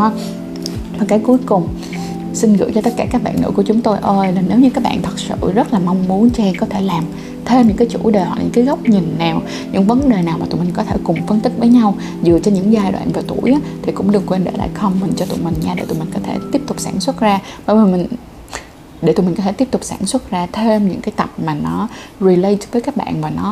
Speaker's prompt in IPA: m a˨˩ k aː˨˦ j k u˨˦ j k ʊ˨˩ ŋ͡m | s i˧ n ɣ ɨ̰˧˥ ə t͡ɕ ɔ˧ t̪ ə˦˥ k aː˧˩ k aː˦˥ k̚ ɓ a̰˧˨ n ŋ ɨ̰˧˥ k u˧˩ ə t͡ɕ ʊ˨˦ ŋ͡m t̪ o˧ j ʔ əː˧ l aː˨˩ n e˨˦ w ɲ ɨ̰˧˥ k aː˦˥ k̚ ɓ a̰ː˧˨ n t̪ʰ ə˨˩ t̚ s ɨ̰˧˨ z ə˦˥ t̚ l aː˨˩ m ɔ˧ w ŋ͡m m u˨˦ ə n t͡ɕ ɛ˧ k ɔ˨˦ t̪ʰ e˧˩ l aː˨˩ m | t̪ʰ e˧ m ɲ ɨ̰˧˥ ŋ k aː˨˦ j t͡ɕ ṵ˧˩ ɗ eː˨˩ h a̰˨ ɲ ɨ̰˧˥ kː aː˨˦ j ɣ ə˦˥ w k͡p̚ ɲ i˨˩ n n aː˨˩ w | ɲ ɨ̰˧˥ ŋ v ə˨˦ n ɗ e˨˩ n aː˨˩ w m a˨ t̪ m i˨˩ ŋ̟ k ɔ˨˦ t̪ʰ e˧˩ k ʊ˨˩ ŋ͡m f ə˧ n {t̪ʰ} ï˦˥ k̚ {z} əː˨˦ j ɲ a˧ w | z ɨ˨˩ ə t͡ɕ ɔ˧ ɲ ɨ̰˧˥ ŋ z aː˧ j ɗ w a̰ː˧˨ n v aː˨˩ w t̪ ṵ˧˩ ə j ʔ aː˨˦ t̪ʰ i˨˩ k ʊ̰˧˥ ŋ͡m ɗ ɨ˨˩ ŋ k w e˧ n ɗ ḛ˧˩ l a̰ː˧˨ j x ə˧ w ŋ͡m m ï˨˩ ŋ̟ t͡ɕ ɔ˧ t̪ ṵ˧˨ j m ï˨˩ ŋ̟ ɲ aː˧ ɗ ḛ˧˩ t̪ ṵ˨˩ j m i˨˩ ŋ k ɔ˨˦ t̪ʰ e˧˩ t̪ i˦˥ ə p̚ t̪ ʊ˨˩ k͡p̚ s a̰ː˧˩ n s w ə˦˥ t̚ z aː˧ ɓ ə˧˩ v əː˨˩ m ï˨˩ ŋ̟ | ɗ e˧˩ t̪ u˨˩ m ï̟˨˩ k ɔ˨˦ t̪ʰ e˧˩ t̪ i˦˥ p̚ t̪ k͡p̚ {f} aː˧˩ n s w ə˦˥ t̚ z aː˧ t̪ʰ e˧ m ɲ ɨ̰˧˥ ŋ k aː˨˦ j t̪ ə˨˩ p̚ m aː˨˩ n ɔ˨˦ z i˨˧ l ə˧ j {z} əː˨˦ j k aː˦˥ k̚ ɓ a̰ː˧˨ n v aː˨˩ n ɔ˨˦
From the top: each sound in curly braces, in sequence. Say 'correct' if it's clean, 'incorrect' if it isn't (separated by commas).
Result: incorrect, incorrect, incorrect, incorrect